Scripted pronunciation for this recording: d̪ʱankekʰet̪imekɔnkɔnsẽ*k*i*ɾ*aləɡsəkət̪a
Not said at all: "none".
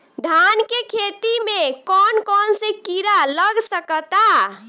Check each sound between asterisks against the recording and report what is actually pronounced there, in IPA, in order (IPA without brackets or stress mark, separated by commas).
k, ɾ